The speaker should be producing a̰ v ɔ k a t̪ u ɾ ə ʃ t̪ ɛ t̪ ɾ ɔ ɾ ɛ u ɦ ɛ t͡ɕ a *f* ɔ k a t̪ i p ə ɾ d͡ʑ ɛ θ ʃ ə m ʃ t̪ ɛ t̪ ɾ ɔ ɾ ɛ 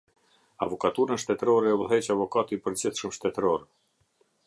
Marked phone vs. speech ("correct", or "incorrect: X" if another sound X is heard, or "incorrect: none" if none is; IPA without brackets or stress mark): incorrect: v